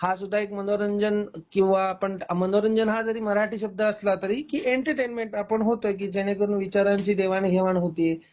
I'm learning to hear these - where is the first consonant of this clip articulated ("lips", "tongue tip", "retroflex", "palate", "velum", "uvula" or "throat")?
throat